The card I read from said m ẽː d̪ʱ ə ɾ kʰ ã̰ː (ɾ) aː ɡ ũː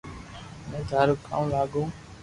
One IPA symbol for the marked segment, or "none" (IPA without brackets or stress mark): l